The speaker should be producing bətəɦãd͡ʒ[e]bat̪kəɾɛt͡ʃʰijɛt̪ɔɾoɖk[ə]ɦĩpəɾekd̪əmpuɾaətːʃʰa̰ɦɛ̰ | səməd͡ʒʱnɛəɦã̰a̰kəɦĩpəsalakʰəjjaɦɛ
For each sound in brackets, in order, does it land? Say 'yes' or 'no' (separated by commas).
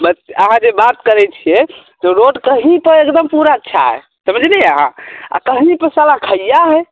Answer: yes, yes